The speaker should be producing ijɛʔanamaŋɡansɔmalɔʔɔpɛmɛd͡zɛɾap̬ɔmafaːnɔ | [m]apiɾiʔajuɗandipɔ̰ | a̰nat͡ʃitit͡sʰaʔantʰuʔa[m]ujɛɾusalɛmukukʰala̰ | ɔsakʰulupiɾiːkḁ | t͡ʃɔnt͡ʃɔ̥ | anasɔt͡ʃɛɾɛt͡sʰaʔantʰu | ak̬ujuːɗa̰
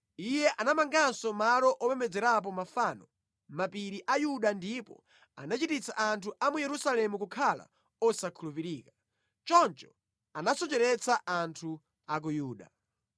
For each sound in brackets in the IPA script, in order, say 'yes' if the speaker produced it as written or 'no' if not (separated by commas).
yes, yes